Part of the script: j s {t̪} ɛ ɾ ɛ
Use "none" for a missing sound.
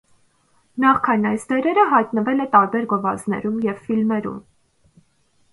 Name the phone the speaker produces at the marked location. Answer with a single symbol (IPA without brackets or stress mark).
d̪